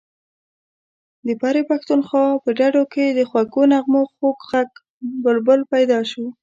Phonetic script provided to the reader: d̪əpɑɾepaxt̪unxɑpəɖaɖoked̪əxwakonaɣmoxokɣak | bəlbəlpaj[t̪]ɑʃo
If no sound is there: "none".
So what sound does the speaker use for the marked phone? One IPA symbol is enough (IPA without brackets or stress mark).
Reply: d̪